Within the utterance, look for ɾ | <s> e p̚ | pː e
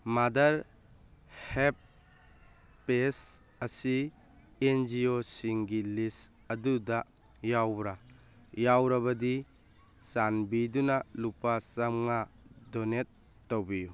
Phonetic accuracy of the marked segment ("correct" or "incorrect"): incorrect